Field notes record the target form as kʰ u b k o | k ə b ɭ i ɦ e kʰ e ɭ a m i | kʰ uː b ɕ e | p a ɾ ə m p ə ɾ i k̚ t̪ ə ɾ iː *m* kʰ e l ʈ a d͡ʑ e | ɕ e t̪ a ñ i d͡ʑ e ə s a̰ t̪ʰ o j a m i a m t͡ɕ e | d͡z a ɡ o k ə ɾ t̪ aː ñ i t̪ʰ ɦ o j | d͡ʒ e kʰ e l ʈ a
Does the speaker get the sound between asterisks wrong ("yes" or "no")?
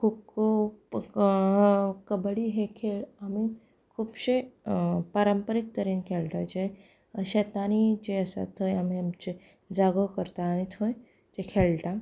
yes